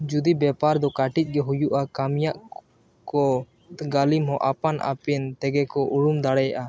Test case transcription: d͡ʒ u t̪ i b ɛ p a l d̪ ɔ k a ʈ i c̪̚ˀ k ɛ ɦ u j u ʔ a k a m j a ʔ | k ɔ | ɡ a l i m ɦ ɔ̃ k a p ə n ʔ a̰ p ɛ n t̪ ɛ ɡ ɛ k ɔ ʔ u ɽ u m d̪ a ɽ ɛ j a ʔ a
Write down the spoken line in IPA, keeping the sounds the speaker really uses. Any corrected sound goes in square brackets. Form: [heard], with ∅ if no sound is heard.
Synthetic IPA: d͡ʒ u [d̪] i b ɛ p a [ɾ] d̪ ɔ k a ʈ i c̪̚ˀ [ɡ] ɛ ɦ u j u ʔ a k a m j a ʔ | k ɔ | ɡ a l i m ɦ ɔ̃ [ʔ] a p [a] n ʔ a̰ p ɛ n t̪ ɛ ɡ ɛ k ɔ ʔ u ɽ u m d̪ a ɽ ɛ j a ʔ a